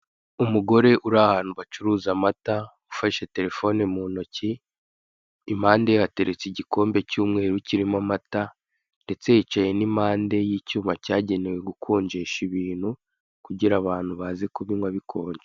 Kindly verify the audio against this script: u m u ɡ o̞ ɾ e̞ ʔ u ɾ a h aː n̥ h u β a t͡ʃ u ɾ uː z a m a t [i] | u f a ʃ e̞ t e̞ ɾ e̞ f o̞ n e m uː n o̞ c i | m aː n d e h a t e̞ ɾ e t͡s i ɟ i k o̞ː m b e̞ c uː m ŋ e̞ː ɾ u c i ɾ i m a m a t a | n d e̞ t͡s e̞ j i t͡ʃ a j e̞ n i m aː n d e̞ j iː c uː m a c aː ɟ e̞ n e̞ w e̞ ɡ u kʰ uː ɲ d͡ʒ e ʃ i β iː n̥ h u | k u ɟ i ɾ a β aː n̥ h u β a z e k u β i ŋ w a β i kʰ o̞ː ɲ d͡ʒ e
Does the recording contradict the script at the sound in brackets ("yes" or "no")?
yes